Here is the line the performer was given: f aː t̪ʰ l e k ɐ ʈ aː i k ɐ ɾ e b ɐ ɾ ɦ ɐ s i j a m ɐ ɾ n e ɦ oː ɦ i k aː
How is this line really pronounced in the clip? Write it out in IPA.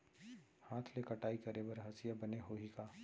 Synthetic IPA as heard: h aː t̪ʰ l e k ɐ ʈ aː i k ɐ ɾ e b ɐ ɾ ɦ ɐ s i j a b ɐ n e ɦ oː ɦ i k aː